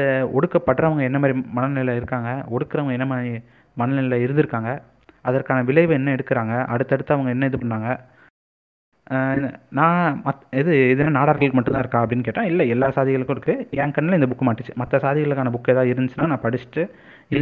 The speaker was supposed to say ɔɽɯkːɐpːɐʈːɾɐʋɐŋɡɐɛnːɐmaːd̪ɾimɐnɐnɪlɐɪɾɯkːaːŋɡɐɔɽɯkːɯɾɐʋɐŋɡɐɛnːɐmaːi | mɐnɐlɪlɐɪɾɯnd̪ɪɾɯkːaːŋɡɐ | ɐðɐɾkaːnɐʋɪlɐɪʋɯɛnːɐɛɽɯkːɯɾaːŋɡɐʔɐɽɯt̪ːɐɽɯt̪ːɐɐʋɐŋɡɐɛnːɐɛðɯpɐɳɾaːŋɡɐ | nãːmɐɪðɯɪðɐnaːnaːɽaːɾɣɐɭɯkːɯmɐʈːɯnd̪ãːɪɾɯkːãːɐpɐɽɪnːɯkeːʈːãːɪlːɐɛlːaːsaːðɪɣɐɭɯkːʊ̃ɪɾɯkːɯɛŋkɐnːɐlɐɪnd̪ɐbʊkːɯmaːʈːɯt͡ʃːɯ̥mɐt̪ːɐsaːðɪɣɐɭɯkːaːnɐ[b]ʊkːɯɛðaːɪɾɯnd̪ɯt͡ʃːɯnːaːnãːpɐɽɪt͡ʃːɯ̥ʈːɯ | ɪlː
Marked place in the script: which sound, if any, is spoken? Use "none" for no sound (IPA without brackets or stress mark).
b